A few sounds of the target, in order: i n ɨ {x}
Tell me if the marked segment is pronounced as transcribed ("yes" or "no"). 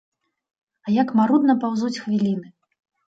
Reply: no